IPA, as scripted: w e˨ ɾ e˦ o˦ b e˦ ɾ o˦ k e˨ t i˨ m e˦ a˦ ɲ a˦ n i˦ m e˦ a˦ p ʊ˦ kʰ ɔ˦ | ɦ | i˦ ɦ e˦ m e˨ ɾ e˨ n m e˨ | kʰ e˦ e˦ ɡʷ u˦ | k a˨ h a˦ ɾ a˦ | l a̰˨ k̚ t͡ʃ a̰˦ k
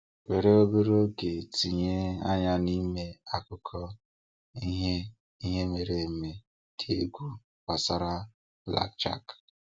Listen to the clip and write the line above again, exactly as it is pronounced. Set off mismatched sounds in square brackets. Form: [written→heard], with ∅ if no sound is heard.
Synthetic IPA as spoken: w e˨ ɾ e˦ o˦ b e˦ ɾ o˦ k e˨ t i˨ [m→ɲ] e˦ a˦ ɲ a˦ n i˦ m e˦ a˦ [p→k] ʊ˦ kʰ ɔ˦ | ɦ | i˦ ɦ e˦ m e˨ ɾ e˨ [n→∅] m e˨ | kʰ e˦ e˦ ɡʷ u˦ | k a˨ [h→s] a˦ ɾ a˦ | l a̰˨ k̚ t͡ʃ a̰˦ k